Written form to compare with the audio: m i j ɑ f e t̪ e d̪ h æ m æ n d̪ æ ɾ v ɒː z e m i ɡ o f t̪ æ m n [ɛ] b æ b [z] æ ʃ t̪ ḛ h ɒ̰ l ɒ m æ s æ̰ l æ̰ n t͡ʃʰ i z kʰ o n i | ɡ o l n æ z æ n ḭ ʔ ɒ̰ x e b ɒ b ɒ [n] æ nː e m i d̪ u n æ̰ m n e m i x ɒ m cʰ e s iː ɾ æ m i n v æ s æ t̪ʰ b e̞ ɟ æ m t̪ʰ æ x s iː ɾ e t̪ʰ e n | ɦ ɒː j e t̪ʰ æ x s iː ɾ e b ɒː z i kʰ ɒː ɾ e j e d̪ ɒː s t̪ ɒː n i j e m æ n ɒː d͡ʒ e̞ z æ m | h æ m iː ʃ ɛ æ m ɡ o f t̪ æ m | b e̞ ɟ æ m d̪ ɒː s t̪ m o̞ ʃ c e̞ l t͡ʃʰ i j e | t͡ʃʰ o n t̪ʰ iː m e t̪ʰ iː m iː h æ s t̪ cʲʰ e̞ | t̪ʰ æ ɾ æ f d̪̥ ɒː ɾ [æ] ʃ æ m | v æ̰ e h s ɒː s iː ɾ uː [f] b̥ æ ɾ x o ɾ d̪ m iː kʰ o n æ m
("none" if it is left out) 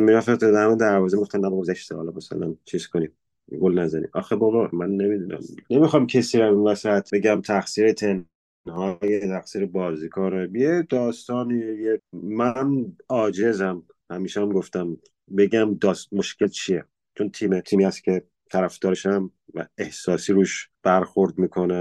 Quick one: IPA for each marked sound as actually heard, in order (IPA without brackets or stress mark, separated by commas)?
æ, z, m, e, ʃ